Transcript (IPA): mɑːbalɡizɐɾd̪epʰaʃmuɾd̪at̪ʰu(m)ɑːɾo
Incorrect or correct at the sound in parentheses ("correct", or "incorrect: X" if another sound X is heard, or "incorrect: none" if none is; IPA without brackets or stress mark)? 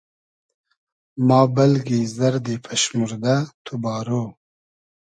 incorrect: b